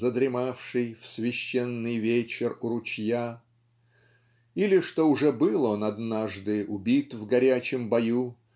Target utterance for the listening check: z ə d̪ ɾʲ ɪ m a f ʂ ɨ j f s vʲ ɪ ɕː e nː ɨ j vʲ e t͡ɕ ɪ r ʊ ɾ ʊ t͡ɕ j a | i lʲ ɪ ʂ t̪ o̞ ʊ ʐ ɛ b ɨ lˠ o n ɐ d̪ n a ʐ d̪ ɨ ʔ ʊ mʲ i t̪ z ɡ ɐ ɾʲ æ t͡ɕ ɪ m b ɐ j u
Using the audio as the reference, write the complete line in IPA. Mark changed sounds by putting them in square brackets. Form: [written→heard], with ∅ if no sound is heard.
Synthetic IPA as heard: z ə d̪ ɾʲ ɪ m a f ʂ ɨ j f s vʲ ɪ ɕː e nː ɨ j vʲ e t͡ɕ ɪ r ʊ ɾ ʊ t͡ɕ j a | i lʲ ɪ ʂ t̪ o̞ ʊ ʐ ɛ b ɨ lˠ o n ɐ d̪ n a ʐ d̪ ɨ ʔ ʊ [mʲ→bʲ] i t̪ [z→v] ɡ ɐ ɾʲ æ t͡ɕ ɪ m b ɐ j u